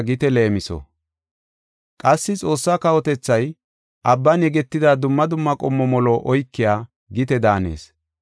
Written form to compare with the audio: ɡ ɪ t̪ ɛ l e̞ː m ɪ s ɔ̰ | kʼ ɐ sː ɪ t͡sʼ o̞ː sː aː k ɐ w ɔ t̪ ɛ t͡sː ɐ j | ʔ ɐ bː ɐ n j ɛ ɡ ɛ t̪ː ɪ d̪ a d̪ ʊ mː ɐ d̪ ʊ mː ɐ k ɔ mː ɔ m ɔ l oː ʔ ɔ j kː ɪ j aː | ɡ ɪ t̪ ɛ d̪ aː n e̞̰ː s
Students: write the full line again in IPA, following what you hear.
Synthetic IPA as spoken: ɡ ɪ t̪ ɛ l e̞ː m ɪ s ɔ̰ | kʼ ɐ sː ɪ t͡sʼ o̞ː sː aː k ɐ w ɔ t̪ ɛ t͡sː ɐ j | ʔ ɐ bː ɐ n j ɛ ɡ ɛ t̪ː ɪ d̪ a d̪ ʊ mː ɐ d̪ ʊ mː ɐ kʼ ɔ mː ɔ m ɔ l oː ʔ ɔ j kː ɪ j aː | ɡ ɪ t̪ ɛ d̪ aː n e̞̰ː s